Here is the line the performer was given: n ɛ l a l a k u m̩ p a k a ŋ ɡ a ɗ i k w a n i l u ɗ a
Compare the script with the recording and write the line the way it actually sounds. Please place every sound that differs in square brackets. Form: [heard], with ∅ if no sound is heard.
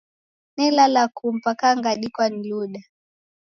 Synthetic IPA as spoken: n ɛ l a l a k u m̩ p a k a ŋ ɡ a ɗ i k w a n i l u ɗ a